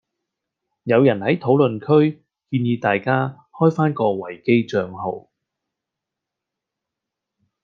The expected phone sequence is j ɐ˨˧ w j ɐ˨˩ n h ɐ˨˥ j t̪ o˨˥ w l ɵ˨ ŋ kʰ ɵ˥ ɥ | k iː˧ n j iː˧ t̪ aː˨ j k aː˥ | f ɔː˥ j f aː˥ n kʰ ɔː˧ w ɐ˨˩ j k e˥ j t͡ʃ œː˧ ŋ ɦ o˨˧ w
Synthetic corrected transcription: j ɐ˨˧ w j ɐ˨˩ n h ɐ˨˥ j t̪ʰ o˨˥ w l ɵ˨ n kʰ ɵ˥ ɥ | k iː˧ n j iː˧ t̪ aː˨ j k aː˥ | h ɔː˥ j f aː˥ n k ɔː˧ w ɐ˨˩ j k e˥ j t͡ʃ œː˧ ŋ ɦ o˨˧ w